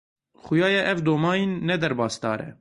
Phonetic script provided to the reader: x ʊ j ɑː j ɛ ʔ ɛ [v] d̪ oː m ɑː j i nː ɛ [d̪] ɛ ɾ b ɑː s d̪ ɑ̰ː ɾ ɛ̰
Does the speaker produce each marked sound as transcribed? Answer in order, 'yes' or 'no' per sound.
yes, yes

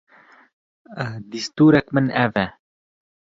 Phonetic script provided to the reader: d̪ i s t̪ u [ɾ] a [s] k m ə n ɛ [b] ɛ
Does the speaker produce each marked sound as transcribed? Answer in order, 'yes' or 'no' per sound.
yes, no, no

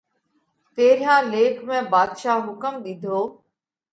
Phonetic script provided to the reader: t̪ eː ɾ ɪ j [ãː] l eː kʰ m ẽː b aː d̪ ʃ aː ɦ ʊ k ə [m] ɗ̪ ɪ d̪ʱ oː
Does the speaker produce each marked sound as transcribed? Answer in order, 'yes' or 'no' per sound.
yes, yes

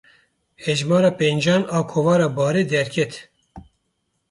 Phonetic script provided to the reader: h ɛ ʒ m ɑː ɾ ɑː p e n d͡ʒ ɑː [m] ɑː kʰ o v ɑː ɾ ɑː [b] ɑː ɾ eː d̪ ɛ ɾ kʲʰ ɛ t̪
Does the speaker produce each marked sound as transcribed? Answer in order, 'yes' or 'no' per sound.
no, yes

